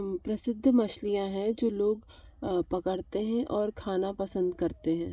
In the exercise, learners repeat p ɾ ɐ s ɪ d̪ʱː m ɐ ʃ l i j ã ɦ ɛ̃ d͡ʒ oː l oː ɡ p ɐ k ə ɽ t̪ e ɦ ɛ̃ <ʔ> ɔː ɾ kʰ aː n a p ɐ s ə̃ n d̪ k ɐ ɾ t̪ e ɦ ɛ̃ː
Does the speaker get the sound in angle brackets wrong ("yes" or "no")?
no